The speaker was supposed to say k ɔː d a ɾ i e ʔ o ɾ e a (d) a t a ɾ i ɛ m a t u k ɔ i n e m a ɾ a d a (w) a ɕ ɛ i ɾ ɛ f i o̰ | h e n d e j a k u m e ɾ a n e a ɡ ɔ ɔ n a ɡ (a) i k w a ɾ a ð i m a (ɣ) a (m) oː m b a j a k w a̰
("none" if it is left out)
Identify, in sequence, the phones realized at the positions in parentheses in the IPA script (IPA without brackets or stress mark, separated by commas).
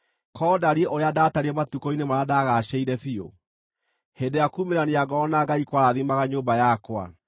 d, ɣ, a, ɣ, ɲ